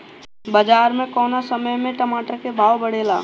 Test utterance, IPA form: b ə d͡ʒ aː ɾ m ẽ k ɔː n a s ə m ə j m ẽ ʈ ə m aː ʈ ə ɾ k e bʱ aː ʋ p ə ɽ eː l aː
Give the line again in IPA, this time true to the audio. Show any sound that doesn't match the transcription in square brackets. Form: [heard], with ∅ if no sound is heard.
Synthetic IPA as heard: b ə d͡ʒ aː ɾ m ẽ k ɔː n a s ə m ə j m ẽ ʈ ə m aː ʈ ə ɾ k e bʱ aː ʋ [b] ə ɽ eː l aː

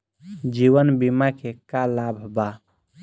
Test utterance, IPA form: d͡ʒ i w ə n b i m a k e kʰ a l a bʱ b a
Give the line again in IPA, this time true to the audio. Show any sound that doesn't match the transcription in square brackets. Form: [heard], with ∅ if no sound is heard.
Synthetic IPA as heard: d͡ʒ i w ə n b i m a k e [k] a l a bʱ b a

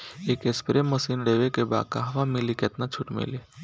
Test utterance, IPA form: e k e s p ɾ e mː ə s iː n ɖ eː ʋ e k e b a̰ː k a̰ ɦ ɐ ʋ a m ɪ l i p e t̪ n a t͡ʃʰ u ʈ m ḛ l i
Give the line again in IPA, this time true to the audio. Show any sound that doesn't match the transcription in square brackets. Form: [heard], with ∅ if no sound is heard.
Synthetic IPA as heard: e k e s p ɾ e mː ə s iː n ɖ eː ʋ e k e b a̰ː k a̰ ɦ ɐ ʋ a m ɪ l i [k] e t̪ n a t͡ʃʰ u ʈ m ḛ l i

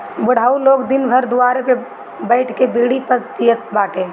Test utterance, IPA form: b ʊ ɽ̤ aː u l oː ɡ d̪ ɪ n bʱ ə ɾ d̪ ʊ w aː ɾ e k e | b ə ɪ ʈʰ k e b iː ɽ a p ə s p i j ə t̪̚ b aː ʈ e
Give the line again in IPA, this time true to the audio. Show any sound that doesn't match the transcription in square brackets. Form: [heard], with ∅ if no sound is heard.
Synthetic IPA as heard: b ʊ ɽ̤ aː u l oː ɡ d̪ ɪ n bʱ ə ɾ d̪ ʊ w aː ɾ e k e | b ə ɪ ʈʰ k e b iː ɽ [i] p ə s p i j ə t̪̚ b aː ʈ e

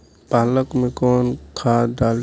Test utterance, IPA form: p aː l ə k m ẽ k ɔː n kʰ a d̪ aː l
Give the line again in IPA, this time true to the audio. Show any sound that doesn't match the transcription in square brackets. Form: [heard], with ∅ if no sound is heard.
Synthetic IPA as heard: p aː l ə k m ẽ k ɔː n kʰ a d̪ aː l

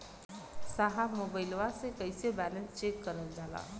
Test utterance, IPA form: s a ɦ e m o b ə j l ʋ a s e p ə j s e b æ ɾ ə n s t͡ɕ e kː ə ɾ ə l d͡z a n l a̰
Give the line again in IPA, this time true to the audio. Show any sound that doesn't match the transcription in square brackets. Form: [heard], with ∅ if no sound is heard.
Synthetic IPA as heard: s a ɦ [a] m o b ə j l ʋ a s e [k] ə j s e b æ [l] ə n s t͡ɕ e kː ə ɾ ə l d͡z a [∅] l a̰

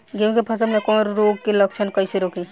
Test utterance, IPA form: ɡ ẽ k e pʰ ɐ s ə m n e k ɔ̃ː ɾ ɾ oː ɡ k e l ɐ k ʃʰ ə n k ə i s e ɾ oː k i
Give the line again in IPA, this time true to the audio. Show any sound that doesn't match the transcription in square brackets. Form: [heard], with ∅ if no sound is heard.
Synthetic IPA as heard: ɡ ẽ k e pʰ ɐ s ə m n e k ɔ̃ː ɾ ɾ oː ɡ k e l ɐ k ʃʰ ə n k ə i s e ɾ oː k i

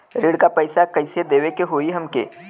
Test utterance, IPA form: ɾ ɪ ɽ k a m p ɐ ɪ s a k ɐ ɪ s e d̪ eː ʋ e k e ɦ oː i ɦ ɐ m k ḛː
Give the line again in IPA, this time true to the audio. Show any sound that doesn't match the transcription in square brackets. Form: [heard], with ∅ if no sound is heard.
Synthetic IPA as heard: ɾ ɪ ɽ k a [∅] p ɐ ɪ s a k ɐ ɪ s e d̪ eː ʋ e k e ɦ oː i ɦ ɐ m k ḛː

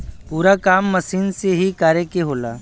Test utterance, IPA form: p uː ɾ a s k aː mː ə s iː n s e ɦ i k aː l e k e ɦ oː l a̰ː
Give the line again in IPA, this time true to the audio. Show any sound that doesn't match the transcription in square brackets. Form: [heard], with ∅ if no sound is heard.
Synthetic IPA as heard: p uː ɾ a [∅] k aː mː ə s iː n s e ɦ i k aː [ɾ] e k e ɦ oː l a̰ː

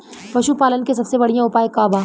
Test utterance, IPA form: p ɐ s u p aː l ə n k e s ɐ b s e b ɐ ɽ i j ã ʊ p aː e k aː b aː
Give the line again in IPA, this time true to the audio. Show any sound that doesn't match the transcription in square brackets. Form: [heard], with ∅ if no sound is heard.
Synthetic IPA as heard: p ɐ [ʃ] u p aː l ə n k e s ɐ b s e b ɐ ɽ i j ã ʊ p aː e k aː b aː

